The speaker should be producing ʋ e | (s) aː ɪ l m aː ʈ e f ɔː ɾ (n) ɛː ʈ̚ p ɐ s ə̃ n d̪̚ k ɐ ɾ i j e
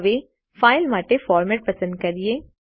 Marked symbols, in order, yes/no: no, no

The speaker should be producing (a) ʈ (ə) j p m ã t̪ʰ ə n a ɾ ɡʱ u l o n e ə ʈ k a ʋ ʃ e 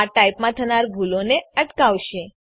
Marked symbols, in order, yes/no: yes, no

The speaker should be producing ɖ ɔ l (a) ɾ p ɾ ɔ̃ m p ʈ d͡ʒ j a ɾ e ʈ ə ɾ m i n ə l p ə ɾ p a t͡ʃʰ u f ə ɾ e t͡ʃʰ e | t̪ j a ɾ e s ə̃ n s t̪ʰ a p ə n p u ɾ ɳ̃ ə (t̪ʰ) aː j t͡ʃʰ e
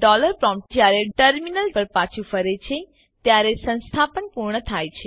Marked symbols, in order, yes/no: no, yes

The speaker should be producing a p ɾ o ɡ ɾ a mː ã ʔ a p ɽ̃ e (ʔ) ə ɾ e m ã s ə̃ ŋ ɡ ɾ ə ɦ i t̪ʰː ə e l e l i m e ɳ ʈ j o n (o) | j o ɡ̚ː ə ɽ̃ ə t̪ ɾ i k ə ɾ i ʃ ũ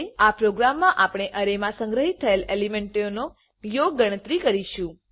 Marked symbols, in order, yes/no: yes, yes

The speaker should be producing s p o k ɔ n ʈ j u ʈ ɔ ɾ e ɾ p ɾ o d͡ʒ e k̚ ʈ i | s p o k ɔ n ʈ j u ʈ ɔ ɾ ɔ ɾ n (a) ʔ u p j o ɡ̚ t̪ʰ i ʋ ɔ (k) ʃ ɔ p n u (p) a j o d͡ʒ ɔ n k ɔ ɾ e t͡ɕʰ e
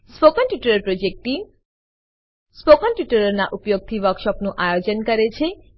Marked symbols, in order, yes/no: yes, yes, no

